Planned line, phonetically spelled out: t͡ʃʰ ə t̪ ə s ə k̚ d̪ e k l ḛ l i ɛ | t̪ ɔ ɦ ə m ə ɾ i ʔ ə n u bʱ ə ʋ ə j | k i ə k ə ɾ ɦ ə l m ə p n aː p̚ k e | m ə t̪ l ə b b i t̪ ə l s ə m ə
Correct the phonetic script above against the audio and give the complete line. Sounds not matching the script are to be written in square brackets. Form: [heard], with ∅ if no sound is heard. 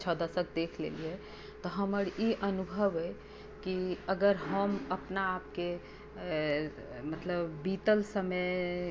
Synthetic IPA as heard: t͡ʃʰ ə [d̪] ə s ə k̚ d̪ e [kʰ] l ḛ l i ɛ | t̪ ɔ ɦ ə m ə ɾ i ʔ ə n u bʱ ə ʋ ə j | k i ə [ɡ] ə ɾ ɦ ə [∅] m ə p n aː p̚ k e | m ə t̪ l ə b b i t̪ ə l s ə m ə